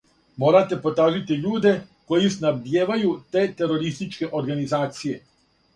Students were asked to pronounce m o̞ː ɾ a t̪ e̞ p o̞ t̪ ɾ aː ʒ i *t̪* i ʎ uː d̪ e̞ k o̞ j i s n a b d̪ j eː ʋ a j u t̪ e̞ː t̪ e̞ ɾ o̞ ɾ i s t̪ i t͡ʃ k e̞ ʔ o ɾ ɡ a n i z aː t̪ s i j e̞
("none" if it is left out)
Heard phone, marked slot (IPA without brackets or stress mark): t̪